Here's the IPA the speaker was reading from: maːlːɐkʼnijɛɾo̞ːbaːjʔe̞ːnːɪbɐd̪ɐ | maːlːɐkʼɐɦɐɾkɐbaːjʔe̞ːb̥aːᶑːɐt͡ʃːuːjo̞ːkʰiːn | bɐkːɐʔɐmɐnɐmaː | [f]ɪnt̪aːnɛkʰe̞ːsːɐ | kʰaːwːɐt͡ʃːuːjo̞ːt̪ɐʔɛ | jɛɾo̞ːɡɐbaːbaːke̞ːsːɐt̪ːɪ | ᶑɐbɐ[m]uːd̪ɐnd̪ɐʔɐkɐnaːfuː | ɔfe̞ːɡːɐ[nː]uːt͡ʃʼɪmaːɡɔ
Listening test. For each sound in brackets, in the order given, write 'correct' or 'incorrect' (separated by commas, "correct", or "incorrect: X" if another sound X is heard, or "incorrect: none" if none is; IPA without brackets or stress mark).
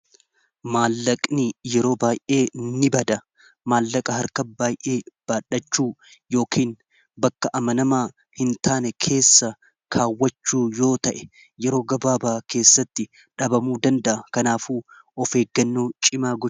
incorrect: h, correct, correct